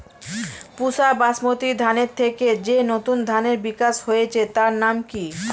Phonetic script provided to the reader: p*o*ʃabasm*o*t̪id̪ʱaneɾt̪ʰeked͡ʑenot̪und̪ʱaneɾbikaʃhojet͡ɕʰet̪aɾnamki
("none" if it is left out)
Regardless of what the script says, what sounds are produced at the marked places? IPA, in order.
u, o

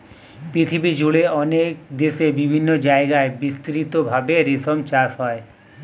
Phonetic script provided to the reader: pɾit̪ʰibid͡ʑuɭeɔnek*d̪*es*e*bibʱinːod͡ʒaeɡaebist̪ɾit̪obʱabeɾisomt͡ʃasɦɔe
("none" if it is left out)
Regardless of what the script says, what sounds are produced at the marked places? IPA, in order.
d̪, e

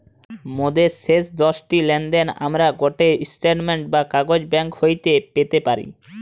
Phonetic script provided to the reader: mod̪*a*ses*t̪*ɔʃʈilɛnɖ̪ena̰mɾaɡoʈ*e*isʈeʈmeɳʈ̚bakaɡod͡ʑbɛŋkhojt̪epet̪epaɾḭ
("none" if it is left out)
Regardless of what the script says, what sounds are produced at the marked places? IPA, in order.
e, d̪, e

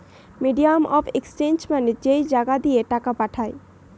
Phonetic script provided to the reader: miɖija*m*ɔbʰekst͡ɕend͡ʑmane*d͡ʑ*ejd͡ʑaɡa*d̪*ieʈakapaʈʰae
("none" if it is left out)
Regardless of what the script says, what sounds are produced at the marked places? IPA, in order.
m, d͡ʑ, d̪

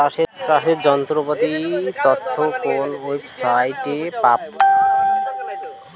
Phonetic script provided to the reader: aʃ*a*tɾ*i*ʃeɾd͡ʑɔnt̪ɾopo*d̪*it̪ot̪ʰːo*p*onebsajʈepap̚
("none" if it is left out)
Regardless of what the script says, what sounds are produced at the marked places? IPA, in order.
e, a, t̪, k

